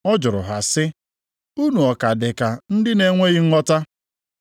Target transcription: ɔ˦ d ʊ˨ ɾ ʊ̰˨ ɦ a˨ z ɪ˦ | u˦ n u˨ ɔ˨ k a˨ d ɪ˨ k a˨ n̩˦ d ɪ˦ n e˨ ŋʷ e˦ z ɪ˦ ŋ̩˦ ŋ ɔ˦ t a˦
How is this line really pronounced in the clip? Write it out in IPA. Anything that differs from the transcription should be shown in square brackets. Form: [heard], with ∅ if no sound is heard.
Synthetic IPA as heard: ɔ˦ [d͡ʒ] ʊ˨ ɾ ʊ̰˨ ɦ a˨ [s] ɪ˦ | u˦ n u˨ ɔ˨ k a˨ d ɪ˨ k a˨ n̩˦ d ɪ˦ n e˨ ŋʷ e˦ [ɣ] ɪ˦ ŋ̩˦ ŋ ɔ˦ t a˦